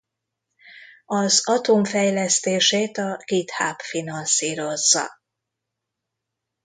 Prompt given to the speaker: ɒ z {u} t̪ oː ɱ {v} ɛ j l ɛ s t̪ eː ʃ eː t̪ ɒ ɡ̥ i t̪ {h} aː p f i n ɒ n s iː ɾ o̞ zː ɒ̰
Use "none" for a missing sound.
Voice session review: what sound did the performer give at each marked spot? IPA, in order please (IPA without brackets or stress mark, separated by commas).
ɒ, f, h